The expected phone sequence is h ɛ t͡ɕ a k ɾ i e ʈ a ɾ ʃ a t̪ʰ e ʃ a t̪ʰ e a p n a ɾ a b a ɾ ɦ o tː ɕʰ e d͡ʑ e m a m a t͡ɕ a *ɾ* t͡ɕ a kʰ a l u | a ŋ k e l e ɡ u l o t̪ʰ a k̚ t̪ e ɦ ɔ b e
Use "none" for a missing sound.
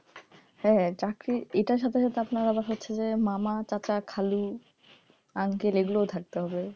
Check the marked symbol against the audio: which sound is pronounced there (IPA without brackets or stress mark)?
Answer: none